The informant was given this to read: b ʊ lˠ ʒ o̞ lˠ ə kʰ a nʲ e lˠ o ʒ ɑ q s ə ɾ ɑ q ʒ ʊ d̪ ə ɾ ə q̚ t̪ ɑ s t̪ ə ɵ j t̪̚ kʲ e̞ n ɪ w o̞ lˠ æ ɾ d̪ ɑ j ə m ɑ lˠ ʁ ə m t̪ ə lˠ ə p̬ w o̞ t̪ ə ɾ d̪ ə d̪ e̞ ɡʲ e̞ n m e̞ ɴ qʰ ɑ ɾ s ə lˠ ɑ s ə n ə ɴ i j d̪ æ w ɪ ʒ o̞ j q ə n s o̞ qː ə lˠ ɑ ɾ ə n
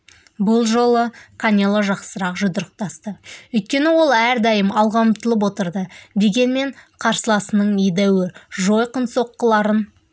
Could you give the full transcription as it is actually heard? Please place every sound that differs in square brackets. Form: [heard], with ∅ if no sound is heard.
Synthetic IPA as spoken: b ʊ lˠ ʒ o̞ lˠ ə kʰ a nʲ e lˠ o ʒ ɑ q s ə ɾ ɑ q ʒ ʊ d̪ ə ɾ ə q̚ t̪ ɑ s t̪ ə ɵ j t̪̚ kʲ e̞ n ɪ w o̞ lˠ æ ɾ d̪ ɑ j ə m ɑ lˠ ʁ [ɑ] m t̪ ə lˠ ə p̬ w o̞ t̪ ə ɾ d̪ ə d̪ e̞ ɡʲ e̞ n m e̞ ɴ qʰ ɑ ɾ s ə lˠ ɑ s ə n ə ɴ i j d̪ æ w ɪ ʒ o̞ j q ə n s o̞ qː ə lˠ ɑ ɾ ə n

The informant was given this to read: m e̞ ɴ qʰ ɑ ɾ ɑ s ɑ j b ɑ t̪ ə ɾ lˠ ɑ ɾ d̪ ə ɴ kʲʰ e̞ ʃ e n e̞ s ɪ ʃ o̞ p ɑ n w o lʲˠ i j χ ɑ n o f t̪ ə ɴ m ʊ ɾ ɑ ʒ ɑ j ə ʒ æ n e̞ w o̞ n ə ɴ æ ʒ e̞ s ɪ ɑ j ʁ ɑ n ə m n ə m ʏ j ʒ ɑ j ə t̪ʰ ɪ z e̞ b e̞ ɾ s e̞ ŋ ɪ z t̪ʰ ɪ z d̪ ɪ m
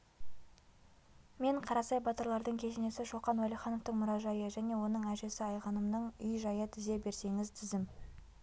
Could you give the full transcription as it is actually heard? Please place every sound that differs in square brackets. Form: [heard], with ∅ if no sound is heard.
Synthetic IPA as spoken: m e̞ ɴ qʰ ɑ ɾ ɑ s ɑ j b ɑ t̪ ə ɾ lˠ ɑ ɾ d̪ ə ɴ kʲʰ e̞ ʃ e n e̞ s ɪ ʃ o̞ [q] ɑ n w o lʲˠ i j χ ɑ n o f t̪ ə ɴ m ʊ ɾ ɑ ʒ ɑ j ə ʒ æ n e̞ w o̞ n ə ɴ æ ʒ e̞ s ɪ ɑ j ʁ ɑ n ə m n ə [ɴ] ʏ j ʒ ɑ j ə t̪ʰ ɪ z e̞ b e̞ ɾ s e̞ ŋ ɪ z t̪ʰ ɪ z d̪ ɪ m

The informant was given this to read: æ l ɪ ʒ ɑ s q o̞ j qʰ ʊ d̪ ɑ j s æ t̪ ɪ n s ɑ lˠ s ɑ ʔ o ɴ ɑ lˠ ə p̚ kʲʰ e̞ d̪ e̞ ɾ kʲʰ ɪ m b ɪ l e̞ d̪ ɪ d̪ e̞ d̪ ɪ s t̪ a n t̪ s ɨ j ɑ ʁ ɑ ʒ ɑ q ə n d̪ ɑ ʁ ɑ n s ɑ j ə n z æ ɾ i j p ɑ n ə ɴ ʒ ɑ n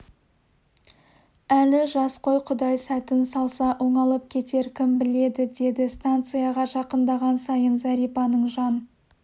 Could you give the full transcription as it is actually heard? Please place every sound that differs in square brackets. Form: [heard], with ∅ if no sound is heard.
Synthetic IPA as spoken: æ l ɪ ʒ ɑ s q o̞ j qʰ ʊ d̪ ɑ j s æ t̪ ɪ n s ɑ lˠ s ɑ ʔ o ɴ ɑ lˠ ə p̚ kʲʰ e̞ [t̪] e̞ ɾ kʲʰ ɪ m b ɪ l e̞ d̪ ɪ d̪ e̞ d̪ ɪ s t̪ a n t̪ s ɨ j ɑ ʁ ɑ ʒ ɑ q ə n d̪ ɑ ʁ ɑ n s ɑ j ə n z æ ɾ i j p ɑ n ə ɴ ʒ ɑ n

